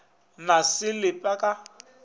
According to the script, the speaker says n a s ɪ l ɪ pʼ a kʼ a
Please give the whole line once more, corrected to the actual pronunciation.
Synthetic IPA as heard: n a s ɪ l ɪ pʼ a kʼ a